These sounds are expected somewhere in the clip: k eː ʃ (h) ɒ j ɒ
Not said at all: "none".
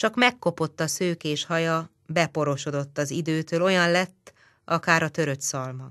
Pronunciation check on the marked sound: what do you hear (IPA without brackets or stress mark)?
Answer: h